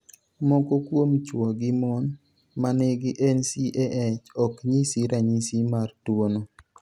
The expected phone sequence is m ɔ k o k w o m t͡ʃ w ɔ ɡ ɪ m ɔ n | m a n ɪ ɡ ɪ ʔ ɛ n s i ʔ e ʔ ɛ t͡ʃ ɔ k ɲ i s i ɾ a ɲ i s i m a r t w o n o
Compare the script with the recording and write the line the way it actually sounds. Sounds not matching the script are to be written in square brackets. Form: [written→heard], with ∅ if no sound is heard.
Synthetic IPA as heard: m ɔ k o k w o m t͡ʃ w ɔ ɡ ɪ m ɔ n | m a n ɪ ɡ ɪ ʔ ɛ n s i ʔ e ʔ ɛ t͡ʃ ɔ k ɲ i s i ɾ a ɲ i s i m a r t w o n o